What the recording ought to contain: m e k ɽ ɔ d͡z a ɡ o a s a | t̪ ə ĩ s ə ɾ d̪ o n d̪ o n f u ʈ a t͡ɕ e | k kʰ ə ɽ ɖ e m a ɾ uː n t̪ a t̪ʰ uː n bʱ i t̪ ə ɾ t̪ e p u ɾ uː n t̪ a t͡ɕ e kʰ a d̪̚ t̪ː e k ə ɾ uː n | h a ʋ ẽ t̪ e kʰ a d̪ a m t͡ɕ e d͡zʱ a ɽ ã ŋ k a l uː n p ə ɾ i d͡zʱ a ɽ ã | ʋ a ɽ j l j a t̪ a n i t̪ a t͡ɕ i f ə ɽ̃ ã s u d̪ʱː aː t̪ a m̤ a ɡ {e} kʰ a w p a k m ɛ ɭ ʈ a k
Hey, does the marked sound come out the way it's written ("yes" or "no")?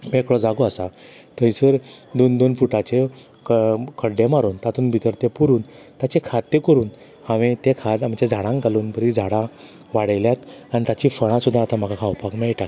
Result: no